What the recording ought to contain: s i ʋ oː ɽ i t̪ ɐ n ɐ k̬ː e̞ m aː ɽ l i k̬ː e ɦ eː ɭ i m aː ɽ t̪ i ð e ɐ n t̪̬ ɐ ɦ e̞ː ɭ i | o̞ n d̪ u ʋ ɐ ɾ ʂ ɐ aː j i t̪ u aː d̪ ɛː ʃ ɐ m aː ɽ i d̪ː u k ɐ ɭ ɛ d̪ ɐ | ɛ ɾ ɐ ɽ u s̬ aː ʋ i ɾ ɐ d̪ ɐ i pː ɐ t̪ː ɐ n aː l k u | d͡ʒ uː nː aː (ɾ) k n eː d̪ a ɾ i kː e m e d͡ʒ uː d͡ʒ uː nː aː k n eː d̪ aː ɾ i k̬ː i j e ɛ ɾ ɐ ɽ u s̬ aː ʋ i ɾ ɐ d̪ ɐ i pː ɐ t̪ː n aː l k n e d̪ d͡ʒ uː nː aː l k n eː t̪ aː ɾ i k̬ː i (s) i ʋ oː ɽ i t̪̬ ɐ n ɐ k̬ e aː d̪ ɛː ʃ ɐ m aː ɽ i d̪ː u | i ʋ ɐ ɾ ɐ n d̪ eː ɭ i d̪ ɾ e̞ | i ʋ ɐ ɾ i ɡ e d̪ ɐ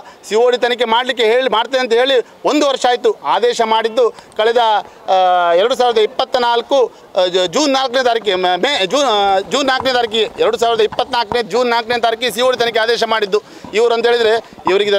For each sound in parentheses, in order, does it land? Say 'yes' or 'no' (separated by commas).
no, yes